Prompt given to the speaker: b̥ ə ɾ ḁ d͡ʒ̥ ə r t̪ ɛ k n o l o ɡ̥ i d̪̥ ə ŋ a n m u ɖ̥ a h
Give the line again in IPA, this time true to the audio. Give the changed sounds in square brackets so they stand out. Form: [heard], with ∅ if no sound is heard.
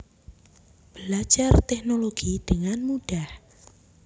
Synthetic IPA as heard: b̥ ə [l] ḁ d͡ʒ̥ [a] r t̪ ɛ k n o l o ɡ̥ i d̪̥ ə ŋ a n m u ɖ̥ a h

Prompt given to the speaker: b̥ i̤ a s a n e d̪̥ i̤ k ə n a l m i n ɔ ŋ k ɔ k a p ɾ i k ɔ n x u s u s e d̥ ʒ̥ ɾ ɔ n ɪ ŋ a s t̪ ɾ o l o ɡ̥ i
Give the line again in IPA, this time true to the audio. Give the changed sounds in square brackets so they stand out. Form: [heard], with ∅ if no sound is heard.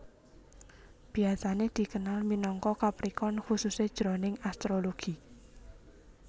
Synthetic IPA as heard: b̥ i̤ a s a n e d̪̥ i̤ k ə n a l m i n ɔ ŋ k ɔ k a p ɾ i k ɔ n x u s u s e d̥ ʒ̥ ɾ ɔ n ɪ ŋ a s t̪ ɾ o l o ɡ̥ i

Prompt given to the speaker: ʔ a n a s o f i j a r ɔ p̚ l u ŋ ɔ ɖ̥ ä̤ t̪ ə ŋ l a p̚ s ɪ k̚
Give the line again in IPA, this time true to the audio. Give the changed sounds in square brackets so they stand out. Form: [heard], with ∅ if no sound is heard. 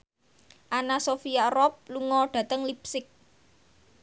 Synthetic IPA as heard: ʔ a n a s o f i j a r ɔ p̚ l u ŋ ɔ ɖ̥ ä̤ t̪ ə ŋ l [i] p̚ s ɪ k̚

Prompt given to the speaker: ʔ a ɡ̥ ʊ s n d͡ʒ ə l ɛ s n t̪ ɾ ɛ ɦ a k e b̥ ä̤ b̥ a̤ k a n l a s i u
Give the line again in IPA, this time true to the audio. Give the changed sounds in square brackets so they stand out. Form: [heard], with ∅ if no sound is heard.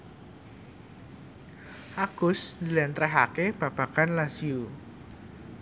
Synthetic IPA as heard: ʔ a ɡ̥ ʊ s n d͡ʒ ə l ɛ [∅] n t̪ ɾ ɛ ɦ a k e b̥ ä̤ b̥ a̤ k a n l a s i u

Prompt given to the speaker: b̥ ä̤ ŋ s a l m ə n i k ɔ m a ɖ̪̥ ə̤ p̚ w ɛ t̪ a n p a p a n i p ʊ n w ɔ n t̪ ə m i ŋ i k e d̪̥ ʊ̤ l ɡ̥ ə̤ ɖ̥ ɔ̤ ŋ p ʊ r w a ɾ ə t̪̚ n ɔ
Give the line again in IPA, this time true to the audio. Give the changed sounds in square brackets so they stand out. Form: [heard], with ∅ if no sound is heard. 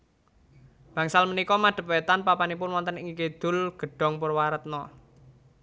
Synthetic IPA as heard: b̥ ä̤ ŋ s a l m ə n i k ɔ m a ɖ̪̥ ə̤ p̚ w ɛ t̪ a n p a p a n i p ʊ n w ɔ n t̪ ə [n] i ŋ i k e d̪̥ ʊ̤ l ɡ̥ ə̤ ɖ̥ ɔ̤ ŋ p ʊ r w a ɾ ə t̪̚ n ɔ

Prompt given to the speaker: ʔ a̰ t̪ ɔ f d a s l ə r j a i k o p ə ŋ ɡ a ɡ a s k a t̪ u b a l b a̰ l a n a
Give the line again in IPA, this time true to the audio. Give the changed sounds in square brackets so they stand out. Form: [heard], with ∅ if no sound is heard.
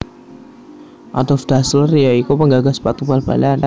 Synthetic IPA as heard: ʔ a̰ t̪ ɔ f d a s l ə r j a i k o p ə ŋ ɡ a ɡ a s [p] a t̪ u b a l b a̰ l a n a

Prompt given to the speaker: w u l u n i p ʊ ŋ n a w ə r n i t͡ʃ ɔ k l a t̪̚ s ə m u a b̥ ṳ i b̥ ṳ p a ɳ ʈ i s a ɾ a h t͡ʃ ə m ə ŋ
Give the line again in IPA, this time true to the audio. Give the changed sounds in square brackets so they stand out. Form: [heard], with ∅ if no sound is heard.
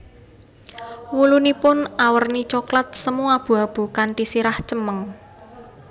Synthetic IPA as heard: w u l u n i p ʊ [∅] n a w ə r n i t͡ʃ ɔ k l a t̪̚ s ə m u a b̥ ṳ [a] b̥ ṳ [k] a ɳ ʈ i s [i] ɾ a h t͡ʃ ə m ə ŋ

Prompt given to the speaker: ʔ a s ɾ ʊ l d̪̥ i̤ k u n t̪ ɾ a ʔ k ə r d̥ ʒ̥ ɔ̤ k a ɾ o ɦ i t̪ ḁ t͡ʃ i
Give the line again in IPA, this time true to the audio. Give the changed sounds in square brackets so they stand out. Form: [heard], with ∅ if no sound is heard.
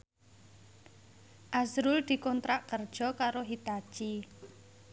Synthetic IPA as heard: ʔ a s ɾ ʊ l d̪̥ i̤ k [ɔ] n t̪ ɾ a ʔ k ə r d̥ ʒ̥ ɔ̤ k a ɾ o ɦ i t̪ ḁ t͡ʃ i

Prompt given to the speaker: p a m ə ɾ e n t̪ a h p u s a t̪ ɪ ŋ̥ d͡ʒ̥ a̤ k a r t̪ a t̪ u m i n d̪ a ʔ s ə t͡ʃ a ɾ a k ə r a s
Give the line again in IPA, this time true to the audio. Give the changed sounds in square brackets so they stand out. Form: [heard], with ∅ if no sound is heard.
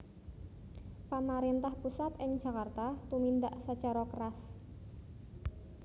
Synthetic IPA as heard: p a m [a] ɾ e n t̪ a h p u s a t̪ ɪ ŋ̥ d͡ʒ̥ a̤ k a r t̪ a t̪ u m i n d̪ a ʔ s ə t͡ʃ a ɾ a k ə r a s

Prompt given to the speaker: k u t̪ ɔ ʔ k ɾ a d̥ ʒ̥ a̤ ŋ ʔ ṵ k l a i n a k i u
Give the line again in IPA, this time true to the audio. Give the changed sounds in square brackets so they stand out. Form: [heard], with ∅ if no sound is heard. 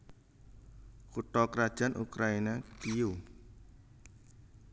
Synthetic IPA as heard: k u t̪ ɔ [∅] k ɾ a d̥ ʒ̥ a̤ [n] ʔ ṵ k [ɾ] a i n a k i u

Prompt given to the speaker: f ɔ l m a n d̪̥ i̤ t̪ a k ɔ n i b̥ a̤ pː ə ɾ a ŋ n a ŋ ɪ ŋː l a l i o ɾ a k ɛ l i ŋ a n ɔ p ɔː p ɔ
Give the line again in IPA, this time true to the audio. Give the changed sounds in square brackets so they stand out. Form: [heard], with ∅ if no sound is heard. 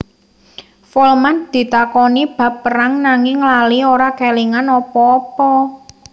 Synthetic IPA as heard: f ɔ l m a n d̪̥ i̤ t̪ a k ɔ n i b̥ a̤ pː ə ɾ a ŋ n a ŋ ɪ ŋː l a l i o ɾ a k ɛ l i ŋ a n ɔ p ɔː p ɔ

